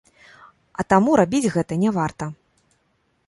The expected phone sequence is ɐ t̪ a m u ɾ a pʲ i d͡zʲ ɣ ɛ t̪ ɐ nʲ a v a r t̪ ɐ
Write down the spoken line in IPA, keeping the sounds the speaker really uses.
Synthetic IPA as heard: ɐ t̪ a m u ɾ a bʲ i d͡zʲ ɣ ɛ t̪ ɐ nʲ ɛ v a r t̪ ɐ